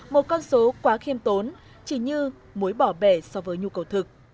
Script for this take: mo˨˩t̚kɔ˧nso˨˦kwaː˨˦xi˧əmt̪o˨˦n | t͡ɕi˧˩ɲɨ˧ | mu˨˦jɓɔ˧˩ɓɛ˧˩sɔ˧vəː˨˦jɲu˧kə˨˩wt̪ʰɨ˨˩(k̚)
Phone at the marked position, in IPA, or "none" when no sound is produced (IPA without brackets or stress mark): k̚